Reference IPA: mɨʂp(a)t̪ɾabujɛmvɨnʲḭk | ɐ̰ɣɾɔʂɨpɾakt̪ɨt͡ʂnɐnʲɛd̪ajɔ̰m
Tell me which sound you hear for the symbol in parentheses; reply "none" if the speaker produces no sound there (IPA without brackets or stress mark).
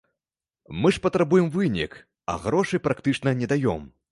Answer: ɐ